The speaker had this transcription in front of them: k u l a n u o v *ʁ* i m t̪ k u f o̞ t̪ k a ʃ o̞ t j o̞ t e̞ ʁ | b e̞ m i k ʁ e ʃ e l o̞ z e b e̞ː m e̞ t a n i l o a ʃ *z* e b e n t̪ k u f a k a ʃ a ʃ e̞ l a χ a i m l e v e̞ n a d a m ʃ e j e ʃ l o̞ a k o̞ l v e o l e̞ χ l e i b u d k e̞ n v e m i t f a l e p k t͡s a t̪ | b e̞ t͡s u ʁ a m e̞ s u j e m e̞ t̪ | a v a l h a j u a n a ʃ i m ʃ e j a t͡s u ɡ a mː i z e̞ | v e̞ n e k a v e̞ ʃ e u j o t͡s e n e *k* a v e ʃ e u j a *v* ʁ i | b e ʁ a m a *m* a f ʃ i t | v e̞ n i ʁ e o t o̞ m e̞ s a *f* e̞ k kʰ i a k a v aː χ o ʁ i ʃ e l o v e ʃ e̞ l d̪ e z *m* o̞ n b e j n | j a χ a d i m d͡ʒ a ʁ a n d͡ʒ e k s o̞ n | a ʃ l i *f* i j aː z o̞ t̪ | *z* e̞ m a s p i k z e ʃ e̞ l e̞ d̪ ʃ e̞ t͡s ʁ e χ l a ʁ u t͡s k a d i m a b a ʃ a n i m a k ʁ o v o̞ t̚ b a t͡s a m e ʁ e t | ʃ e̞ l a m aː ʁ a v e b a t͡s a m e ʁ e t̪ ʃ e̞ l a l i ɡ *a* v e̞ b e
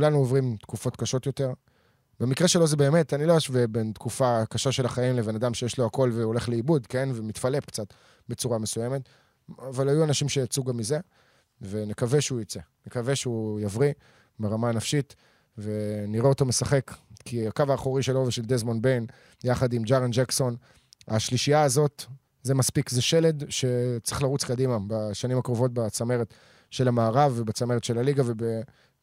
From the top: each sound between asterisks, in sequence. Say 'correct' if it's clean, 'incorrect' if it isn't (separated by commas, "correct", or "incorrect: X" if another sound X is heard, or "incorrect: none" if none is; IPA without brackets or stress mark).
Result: correct, incorrect: v, correct, correct, incorrect: n, incorrect: χ, correct, incorrect: ʃ, correct, correct